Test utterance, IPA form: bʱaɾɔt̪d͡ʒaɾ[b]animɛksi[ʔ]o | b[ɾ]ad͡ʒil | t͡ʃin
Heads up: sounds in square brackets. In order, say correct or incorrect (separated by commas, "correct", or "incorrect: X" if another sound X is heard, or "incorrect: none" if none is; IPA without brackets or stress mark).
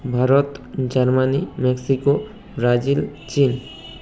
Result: incorrect: m, incorrect: k, correct